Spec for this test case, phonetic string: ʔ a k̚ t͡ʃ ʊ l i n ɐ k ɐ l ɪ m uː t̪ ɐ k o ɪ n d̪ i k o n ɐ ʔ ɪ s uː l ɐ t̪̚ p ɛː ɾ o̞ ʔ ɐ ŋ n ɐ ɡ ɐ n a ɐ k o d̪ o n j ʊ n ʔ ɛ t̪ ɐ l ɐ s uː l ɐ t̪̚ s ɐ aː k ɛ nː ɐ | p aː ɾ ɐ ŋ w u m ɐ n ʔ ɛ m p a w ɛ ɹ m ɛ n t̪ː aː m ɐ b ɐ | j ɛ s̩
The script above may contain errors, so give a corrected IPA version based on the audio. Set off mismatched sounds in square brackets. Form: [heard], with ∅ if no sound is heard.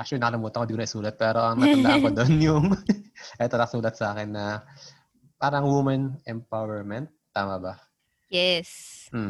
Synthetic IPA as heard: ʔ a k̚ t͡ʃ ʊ l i n ɐ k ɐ l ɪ m uː t̪ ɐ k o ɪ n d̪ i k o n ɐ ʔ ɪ s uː l ɐ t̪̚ p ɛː ɾ o̞ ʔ ɐ ŋ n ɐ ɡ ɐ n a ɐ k o d̪ o n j ʊ [ŋ] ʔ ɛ t̪ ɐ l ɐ s uː l ɐ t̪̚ s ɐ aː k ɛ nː ɐ | p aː ɾ ɐ ŋ w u m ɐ n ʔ ɛ m p a w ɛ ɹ m ɛ n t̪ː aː m ɐ b ɐ | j ɛ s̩